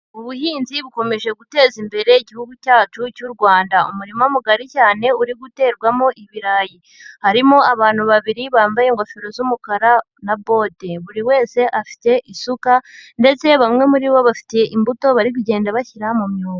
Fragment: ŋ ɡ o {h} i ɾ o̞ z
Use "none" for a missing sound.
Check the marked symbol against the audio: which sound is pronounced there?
f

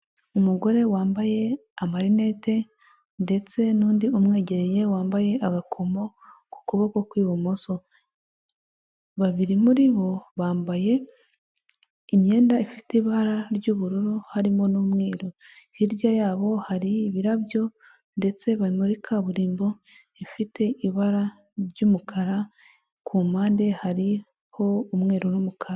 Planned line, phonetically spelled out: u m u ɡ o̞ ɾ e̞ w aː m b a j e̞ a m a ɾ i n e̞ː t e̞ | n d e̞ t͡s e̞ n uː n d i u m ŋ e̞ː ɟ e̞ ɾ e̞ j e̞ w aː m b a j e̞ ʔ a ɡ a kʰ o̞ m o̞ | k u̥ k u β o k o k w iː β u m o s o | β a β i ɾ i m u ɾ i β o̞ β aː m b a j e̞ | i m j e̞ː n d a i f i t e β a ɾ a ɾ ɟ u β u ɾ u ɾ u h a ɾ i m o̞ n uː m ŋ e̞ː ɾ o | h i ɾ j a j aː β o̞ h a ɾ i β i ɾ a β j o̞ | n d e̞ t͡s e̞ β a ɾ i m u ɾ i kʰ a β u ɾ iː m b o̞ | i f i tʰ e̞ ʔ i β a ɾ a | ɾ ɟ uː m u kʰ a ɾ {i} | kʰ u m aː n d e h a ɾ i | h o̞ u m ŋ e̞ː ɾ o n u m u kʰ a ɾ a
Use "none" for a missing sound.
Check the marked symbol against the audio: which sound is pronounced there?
a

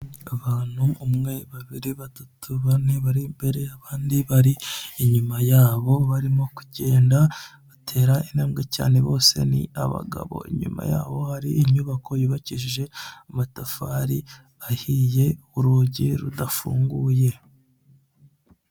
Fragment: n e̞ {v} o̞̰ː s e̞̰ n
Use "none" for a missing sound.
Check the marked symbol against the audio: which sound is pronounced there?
β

